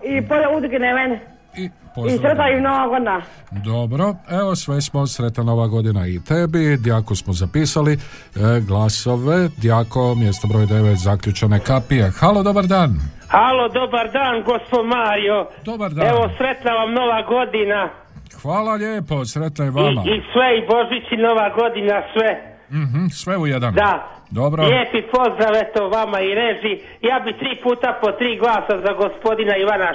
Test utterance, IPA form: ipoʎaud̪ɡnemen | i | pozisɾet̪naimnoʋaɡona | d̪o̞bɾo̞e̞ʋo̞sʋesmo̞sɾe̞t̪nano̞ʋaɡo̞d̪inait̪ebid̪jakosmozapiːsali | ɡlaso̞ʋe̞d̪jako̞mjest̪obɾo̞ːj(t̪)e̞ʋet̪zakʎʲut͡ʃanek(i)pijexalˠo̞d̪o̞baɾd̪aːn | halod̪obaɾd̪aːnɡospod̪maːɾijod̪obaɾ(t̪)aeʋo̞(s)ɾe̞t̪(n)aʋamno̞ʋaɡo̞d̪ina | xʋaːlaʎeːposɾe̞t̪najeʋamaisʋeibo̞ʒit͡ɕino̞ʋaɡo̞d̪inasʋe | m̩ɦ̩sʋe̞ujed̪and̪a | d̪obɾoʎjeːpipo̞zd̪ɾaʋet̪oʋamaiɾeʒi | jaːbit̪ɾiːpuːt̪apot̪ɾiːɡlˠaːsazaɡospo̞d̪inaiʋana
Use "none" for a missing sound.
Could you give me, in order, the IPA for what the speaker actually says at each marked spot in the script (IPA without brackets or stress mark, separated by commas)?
d̪, a, d̪, s, n